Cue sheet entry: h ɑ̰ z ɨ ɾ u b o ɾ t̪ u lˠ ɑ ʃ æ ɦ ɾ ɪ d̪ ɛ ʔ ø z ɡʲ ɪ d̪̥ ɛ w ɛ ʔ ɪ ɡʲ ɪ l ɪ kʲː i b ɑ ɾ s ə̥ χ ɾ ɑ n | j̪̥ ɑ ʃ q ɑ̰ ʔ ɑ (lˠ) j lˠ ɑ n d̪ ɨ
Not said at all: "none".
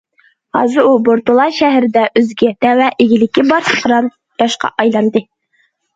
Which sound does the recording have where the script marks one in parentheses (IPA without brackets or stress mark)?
none